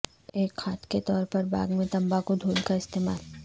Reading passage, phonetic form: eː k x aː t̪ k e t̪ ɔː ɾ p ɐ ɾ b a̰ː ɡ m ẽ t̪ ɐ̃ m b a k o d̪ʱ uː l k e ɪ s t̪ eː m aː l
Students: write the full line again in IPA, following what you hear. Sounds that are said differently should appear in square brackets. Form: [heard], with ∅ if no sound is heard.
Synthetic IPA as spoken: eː k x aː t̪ k e t̪ ɔː ɾ p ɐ ɾ b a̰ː ɡ m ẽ t̪ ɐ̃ m b a k o d̪ʱ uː l k [a] ɪ s t̪ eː m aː l